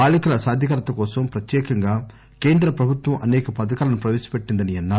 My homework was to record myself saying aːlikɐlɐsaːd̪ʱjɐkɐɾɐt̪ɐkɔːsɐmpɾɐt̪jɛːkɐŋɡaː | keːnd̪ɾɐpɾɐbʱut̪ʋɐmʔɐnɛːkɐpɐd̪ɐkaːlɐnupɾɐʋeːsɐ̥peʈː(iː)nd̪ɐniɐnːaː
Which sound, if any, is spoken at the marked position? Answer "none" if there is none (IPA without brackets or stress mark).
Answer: i